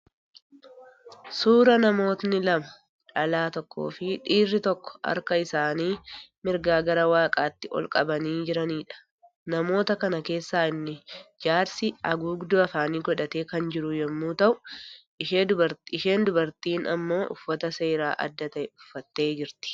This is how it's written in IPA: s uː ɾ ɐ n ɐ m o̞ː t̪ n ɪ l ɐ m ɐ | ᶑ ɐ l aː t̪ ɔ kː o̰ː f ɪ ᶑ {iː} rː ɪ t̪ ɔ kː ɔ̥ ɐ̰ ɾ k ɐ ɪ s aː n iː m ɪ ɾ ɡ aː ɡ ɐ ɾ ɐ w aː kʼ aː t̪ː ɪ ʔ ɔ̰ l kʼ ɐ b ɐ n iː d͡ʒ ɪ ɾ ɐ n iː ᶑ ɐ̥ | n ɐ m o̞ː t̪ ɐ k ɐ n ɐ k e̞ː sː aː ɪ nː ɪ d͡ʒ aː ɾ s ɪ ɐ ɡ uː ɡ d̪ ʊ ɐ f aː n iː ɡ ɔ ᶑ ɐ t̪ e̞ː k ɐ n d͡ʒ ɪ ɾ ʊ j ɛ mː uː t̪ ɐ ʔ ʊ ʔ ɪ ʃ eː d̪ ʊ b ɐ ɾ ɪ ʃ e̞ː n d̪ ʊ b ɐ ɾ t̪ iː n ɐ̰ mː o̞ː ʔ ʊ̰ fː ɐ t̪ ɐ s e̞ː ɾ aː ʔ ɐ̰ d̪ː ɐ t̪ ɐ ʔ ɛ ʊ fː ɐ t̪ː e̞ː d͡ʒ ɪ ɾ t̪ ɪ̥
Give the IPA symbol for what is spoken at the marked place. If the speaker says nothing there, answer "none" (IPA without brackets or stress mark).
iː